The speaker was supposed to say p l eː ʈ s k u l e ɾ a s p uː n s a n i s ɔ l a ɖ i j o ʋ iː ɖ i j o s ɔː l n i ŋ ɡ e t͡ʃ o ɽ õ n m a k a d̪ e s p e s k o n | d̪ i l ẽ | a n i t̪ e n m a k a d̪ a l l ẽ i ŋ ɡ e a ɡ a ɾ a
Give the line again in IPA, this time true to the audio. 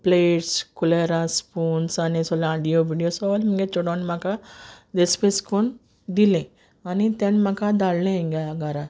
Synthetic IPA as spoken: p l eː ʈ s k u l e ɾ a s p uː n s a n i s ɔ l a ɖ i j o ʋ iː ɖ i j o s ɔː l m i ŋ ɡ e t͡ʃ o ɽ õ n m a k a d̪ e s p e s k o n | d̪ i l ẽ | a n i t̪ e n m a k a d̪ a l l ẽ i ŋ ɡ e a ɡ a ɾ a